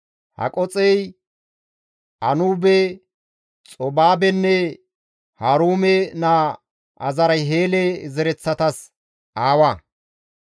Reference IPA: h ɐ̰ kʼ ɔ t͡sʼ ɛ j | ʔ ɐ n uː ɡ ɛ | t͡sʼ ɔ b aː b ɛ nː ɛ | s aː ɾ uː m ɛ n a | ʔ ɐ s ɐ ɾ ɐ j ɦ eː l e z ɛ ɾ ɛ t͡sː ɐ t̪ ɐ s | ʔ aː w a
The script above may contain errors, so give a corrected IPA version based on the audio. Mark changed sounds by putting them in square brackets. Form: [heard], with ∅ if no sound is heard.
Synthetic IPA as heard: h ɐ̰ kʼ ɔ t͡sʼ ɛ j | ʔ ɐ n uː [b] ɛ | t͡sʼ ɔ b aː b ɛ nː ɛ | [h] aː ɾ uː m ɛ n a | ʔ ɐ [z] ɐ ɾ ɐ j ɦ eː l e z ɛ ɾ ɛ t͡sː ɐ t̪ ɐ s | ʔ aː w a